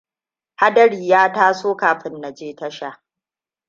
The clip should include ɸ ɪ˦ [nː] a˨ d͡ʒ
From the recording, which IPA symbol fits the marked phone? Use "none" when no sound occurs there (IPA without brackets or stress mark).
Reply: nː